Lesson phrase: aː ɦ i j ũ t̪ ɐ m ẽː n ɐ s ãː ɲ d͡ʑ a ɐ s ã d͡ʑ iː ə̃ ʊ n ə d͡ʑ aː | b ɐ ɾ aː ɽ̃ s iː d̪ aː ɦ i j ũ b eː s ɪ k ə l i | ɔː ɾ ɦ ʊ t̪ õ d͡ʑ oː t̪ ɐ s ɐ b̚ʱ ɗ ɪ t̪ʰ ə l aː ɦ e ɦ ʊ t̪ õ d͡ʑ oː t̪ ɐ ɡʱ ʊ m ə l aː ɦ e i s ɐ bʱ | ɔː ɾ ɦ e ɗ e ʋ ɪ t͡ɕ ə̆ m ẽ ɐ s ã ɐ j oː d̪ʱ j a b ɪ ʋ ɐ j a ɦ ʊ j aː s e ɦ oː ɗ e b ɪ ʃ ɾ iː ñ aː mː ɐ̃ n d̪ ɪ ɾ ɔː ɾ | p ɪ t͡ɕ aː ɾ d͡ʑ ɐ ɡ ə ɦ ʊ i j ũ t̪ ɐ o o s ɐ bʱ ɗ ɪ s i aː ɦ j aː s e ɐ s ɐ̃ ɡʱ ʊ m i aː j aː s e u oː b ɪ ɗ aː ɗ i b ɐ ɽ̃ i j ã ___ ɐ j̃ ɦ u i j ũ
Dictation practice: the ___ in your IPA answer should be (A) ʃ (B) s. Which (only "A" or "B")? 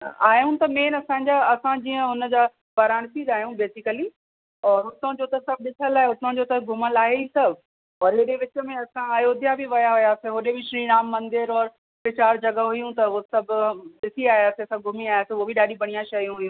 A